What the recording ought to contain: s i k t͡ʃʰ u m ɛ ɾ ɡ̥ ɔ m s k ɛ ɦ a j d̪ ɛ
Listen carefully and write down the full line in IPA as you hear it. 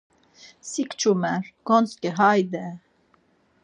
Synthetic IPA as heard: s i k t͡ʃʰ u m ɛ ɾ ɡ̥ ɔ n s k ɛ ɦ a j d̪ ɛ